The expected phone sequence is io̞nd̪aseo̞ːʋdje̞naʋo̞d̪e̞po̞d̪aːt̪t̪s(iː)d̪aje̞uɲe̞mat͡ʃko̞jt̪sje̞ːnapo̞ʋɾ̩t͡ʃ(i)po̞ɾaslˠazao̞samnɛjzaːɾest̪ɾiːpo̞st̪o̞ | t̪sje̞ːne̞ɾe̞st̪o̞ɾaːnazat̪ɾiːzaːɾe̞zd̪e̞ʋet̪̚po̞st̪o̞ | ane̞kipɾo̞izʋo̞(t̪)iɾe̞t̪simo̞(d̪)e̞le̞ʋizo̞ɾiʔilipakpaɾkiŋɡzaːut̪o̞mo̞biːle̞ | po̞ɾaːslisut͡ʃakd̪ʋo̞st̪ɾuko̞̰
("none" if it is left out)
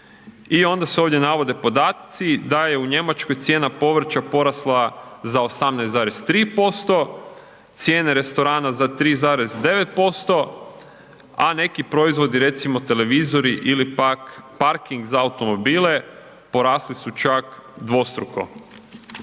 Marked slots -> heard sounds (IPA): i, a, d̪, t̪

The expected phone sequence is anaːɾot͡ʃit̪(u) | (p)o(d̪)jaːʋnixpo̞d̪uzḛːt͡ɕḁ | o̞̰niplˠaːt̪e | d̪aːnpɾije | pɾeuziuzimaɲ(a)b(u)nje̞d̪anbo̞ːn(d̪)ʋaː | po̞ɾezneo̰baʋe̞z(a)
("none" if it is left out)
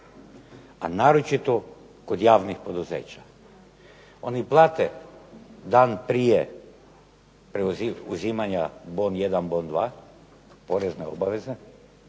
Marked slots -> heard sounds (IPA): o, k, d̪, a, o, d̪, e

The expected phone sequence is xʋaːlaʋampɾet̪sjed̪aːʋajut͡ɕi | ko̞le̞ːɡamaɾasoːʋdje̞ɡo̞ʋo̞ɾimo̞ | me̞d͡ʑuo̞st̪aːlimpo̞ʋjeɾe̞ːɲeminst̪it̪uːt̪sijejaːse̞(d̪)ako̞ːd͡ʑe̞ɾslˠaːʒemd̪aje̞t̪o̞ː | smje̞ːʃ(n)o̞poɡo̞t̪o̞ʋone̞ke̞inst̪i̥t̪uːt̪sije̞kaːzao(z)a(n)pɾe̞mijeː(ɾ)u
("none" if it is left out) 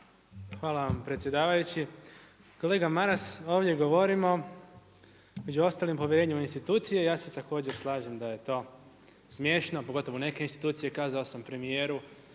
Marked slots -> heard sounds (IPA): t̪, n, s, m, ɾ

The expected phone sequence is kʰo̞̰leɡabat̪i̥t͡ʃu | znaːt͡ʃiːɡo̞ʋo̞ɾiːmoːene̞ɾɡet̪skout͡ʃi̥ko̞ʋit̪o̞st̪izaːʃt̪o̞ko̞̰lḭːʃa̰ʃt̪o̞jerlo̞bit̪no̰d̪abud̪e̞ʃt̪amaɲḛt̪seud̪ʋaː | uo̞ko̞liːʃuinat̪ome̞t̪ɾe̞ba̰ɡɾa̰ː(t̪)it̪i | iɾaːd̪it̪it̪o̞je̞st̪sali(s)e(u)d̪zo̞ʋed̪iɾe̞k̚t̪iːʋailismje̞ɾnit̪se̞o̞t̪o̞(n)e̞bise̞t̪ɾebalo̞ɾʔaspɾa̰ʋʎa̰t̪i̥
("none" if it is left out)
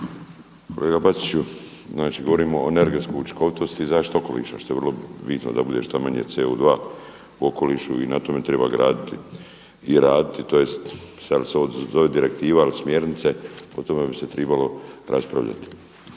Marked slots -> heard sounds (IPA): d̪, s, o, m

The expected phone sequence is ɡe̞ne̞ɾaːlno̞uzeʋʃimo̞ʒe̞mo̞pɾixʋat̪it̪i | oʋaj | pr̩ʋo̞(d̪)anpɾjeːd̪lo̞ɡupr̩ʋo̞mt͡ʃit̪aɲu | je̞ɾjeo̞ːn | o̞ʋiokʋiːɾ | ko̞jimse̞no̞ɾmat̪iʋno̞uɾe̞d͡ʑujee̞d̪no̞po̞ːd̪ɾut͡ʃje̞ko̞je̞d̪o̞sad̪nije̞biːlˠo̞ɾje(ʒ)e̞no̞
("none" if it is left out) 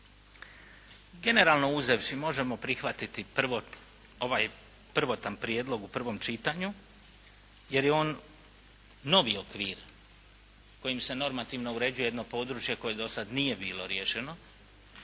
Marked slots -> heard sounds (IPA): t̪, ʃ

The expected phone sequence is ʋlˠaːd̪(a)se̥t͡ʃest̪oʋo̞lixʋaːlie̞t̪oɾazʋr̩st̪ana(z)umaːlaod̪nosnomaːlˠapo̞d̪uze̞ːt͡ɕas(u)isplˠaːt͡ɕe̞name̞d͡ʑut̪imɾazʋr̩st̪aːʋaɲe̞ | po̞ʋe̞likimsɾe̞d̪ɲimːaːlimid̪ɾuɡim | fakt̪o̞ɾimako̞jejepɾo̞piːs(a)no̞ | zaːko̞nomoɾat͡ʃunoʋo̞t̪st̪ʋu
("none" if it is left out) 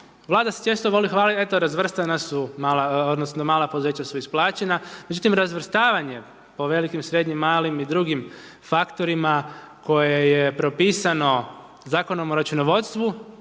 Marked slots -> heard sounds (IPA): a, s, u, a

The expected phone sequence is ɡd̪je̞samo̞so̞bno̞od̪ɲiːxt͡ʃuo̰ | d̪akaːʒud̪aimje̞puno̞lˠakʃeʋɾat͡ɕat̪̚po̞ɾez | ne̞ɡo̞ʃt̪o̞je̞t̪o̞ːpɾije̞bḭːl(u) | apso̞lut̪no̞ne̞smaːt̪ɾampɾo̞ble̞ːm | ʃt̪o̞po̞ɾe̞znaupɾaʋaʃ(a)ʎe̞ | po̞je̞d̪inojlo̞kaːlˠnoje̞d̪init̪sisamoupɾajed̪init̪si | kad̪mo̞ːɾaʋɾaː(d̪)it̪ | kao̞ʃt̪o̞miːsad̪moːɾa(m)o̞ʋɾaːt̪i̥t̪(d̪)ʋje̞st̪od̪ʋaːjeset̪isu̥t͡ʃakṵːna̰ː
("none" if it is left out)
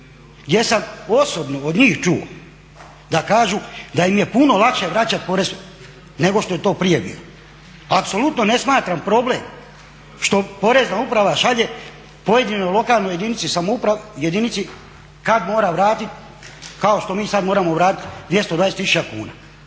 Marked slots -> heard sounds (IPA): o, a, t̪, m, d̪

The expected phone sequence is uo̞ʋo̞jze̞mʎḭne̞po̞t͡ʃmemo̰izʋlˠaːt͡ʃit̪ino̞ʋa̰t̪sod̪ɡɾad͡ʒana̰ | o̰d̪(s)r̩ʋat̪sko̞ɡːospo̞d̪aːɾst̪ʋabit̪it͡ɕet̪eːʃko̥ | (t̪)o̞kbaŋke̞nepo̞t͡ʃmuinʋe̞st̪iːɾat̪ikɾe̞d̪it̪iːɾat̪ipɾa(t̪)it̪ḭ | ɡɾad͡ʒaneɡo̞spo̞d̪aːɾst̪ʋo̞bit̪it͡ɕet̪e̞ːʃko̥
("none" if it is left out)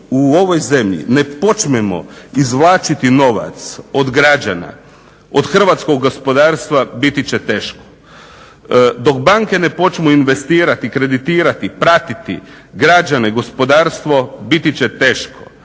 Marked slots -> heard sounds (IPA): x, d̪, t̪

